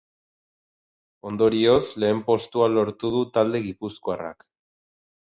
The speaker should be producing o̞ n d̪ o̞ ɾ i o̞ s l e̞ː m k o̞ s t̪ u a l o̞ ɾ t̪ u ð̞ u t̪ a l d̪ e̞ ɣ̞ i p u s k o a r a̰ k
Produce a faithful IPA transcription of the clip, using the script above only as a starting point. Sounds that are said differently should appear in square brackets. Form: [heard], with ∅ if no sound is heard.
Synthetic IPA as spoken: o̞ n d̪ o̞ ɾ i o̞ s l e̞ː m [p] o̞ s t̪ u a l o̞ ɾ t̪ u ð̞ u t̪ a l d̪ e̞ ɣ̞ i p u s k o a r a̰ k